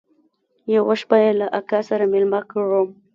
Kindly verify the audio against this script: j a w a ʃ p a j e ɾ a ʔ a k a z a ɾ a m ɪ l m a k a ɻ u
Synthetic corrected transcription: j a w a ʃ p a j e l a ʔ a k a s a ɾ a m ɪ l m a k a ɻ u